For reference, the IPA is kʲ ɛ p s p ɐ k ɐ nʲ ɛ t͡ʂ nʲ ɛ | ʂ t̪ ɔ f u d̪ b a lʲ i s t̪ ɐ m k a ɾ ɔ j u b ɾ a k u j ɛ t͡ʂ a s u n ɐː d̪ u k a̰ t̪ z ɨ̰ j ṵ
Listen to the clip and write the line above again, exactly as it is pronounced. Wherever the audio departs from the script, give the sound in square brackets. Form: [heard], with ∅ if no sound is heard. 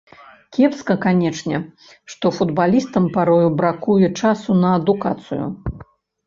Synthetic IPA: kʲ ɛ p s [k] ɐ k [a] nʲ ɛ t͡ʂ nʲ ɛ | ʂ t̪ ɔ f u d̪ b a lʲ i s t̪ ɐ m [p] a ɾ ɔ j u b ɾ a k u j ɛ t͡ʂ a s u n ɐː d̪ u k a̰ t̪ [s] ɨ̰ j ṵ